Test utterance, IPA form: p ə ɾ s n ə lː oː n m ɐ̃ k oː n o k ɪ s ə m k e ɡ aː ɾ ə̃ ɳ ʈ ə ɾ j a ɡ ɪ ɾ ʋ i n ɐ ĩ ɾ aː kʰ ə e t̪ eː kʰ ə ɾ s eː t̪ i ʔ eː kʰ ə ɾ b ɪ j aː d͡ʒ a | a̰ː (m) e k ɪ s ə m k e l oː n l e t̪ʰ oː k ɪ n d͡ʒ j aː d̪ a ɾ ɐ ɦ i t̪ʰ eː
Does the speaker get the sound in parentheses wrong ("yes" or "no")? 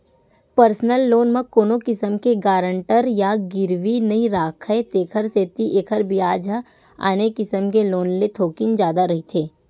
yes